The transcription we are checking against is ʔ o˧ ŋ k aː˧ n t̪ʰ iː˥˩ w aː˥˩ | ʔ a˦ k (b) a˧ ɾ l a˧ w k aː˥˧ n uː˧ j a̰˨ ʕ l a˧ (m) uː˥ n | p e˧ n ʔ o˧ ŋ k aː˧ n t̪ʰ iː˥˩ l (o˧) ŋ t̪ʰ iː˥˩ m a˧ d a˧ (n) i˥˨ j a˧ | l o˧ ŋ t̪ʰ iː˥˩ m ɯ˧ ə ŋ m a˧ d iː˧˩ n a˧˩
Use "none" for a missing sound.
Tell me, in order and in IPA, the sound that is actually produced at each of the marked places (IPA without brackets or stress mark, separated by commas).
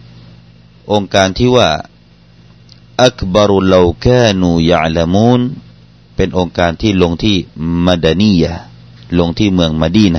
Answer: b, m, o˧, n